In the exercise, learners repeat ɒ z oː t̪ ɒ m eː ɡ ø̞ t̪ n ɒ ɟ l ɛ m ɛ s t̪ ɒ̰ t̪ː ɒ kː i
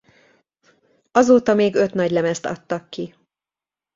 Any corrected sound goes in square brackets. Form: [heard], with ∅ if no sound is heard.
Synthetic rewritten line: ɒ z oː t̪ ɒ m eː ɡ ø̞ t̪ n ɒ ɟ l ɛ m ɛ s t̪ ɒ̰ t̪ː ɒ kː i